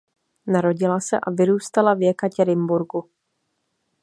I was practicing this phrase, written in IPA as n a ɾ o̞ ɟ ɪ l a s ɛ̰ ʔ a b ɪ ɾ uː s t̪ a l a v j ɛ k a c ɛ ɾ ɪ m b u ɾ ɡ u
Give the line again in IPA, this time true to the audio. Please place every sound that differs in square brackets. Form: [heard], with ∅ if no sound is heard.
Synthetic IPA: n a ɾ o̞ ɟ ɪ l a s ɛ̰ ʔ a [v] ɪ ɾ uː s t̪ a l a v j ɛ k a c ɛ ɾ ɪ m b u ɾ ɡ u